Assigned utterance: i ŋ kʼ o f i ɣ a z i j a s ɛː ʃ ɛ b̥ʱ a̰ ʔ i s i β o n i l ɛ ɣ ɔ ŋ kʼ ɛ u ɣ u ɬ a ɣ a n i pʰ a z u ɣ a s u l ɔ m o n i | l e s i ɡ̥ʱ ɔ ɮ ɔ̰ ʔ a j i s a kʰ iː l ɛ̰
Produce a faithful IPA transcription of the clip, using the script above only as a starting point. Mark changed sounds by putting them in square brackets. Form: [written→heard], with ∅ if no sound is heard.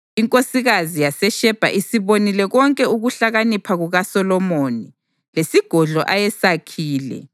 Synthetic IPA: i ŋ kʼ o [f→s] i ɣ a z i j a s [ɛː→ɛ] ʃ ɛ b̥ʱ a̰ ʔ i s i β o n i l ɛ ɣ ɔ ŋ kʼ ɛ u ɣ u ɬ a ɣ a n i pʰ a [z→ɣ] u ɣ a s [u→ɔ] l ɔ m o n i | l e s i ɡ̥ʱ ɔ ɮ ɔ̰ ʔ a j [i→ɛ] s a kʰ iː l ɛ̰